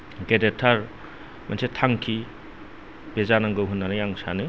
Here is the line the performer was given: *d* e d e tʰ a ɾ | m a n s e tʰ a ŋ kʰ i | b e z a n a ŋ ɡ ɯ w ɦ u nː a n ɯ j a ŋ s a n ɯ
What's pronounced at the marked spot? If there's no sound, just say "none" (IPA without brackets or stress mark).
ɡ